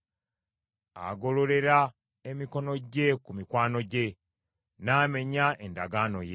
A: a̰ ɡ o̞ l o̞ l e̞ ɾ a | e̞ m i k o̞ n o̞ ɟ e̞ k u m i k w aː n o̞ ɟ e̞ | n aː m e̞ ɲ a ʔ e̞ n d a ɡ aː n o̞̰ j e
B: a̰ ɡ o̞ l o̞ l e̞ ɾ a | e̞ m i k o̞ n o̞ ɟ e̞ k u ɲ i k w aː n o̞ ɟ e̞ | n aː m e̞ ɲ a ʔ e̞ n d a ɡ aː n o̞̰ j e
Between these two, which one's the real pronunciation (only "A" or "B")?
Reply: A